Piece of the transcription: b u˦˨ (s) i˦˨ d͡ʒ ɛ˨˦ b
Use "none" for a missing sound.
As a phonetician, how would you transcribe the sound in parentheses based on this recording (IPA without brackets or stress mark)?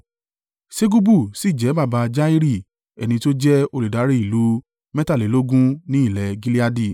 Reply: s